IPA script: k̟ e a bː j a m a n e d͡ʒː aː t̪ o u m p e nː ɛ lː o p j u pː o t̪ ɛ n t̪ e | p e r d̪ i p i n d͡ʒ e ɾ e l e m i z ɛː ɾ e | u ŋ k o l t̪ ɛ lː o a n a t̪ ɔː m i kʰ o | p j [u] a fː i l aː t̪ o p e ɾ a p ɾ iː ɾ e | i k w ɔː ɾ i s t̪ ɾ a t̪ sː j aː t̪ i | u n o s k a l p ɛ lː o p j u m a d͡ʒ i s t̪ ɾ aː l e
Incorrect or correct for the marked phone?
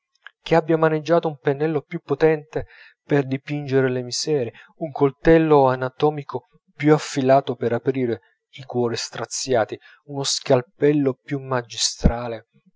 correct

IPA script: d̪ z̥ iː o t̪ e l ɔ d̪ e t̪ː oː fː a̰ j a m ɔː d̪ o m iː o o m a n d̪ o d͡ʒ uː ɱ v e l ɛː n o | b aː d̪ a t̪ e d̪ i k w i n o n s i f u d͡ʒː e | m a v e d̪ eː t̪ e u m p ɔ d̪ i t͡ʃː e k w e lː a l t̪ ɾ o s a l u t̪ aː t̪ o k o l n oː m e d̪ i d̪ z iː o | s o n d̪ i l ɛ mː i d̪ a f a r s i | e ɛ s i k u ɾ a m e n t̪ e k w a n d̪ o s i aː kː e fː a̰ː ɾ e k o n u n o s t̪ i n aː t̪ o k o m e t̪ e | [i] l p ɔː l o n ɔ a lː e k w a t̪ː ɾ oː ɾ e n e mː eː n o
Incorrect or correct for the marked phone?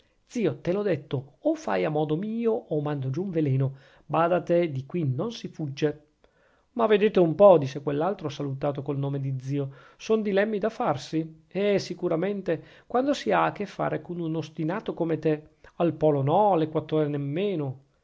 incorrect: a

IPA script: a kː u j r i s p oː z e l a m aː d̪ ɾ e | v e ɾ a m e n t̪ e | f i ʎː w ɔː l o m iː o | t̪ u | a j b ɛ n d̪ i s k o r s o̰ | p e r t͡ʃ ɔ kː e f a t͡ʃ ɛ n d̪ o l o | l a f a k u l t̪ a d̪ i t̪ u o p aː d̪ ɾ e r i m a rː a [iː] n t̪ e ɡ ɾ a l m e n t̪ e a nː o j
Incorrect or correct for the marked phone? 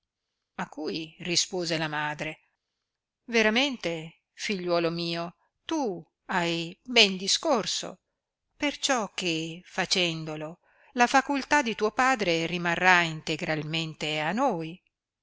incorrect: i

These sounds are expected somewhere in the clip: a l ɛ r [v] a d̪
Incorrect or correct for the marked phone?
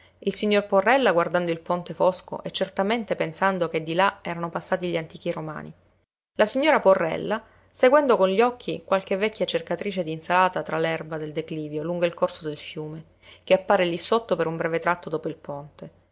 incorrect: b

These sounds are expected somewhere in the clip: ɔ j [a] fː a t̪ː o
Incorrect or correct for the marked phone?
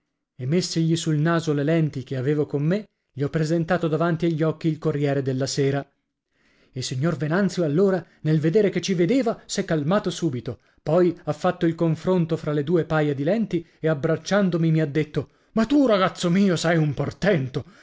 correct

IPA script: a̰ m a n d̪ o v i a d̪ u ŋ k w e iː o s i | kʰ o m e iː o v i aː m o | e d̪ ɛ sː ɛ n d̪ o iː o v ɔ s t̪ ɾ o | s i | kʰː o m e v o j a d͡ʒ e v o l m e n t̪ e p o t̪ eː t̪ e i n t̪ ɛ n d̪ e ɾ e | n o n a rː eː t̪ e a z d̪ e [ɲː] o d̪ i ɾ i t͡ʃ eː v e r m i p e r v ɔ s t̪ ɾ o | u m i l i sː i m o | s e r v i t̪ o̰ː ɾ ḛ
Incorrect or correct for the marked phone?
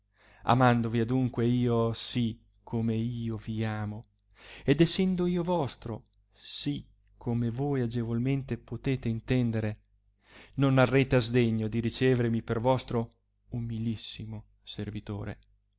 correct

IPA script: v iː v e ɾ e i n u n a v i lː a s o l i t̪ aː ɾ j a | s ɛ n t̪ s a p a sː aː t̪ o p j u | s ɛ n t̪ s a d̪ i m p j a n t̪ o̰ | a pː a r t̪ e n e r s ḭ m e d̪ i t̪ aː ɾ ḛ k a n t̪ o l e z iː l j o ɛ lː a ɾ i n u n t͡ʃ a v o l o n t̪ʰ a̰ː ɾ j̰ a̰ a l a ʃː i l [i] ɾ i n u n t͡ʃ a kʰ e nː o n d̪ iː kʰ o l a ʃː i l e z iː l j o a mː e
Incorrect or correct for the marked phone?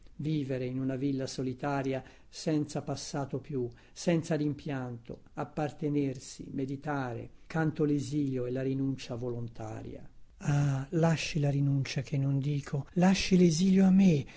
incorrect: a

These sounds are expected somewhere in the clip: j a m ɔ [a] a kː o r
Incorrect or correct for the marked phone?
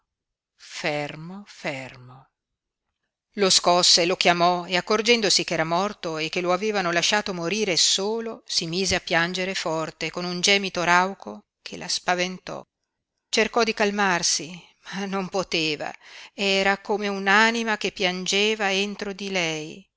incorrect: e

